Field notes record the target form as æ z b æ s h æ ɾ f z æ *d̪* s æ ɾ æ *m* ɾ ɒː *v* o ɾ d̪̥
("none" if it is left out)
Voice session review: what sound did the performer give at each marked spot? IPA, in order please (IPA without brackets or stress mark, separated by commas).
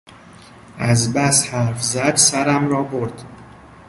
d̪, m, b